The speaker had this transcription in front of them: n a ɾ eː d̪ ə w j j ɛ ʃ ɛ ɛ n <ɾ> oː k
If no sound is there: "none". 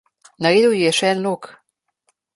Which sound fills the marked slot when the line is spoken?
l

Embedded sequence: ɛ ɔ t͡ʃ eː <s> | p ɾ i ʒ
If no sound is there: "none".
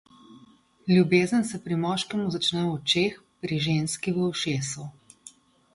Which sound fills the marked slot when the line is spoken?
x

